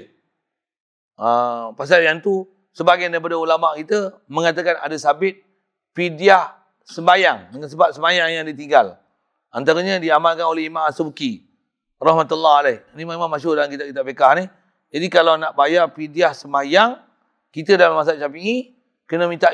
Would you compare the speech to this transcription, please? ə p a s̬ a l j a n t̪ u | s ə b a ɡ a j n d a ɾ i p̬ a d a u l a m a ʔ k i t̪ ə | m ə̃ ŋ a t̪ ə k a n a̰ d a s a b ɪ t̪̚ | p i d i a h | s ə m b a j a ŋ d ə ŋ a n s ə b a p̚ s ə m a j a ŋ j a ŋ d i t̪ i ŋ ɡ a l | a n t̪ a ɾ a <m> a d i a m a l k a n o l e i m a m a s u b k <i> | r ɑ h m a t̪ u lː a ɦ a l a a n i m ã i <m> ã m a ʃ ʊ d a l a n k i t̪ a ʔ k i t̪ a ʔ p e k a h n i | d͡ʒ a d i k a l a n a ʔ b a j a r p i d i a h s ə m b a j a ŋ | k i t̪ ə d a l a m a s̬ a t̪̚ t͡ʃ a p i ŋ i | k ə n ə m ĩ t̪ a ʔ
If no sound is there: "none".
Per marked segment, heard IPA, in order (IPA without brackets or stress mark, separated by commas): ɲ, i, m